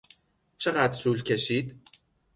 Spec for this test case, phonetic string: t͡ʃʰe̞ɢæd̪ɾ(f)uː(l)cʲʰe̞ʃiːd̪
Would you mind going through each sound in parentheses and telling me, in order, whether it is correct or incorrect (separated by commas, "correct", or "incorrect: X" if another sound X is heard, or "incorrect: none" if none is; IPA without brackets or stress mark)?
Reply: incorrect: s, correct